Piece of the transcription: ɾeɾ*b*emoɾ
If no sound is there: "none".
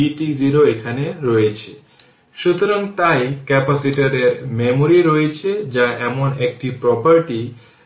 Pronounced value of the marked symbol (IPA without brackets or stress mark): m